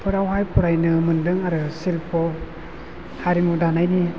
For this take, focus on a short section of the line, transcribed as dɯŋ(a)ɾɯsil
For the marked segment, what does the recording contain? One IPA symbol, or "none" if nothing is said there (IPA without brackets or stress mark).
a